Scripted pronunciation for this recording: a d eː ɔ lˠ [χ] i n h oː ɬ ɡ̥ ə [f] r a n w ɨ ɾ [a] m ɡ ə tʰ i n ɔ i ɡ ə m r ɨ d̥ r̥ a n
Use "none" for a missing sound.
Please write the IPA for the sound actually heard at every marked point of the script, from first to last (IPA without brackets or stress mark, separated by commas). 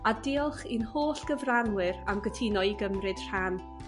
χ, v, a